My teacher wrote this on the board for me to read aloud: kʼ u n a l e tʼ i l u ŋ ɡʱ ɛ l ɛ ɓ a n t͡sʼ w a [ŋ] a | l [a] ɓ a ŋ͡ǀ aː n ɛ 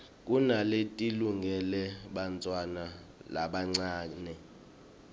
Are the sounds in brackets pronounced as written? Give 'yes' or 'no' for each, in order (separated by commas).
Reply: no, yes